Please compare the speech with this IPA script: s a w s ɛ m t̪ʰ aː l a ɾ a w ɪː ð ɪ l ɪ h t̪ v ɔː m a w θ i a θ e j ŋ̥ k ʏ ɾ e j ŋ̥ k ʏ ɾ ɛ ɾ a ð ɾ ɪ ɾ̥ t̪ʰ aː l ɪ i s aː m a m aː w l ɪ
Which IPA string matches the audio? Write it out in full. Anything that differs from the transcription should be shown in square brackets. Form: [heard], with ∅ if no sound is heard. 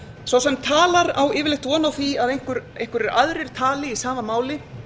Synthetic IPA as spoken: s a w s ɛ m t̪ʰ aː l a ɾ a w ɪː [v] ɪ l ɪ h t̪ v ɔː [n] a w θ i a [ð] e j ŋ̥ k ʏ ɾ e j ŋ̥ k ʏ ɾ ɛ ɾ a ð ɾ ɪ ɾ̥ t̪ʰ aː l ɪ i s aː m a m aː w l ɪ